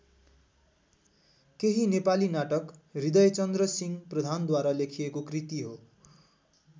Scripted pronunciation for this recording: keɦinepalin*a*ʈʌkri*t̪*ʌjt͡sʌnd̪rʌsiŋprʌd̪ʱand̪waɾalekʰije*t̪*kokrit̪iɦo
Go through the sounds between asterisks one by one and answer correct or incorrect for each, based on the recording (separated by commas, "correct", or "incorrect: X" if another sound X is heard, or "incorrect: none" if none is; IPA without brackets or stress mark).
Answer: correct, incorrect: d̪, incorrect: none